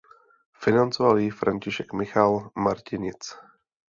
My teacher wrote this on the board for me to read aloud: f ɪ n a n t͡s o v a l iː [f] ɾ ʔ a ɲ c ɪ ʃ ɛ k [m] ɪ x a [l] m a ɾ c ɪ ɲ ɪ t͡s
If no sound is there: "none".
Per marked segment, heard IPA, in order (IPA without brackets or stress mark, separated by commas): f, m, l